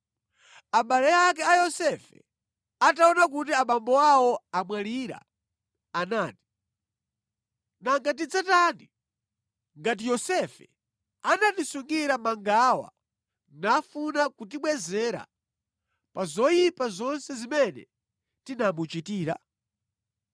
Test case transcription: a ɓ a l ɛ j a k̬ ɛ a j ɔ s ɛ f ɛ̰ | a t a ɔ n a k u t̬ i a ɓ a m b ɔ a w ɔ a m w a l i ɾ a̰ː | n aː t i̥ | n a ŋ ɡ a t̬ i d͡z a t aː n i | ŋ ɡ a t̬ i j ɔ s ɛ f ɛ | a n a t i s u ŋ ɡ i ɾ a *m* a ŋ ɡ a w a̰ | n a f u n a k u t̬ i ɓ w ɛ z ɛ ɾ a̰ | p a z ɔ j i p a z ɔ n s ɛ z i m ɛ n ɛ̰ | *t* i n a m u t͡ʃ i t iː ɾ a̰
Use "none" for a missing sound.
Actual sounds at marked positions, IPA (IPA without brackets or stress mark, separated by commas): m, t